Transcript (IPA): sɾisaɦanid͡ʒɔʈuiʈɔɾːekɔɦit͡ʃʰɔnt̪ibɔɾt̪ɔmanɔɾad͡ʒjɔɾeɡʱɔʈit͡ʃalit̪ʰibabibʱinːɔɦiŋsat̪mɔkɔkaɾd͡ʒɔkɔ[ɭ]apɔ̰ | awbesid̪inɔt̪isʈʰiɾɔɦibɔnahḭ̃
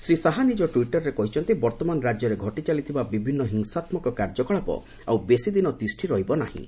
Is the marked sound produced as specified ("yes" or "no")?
yes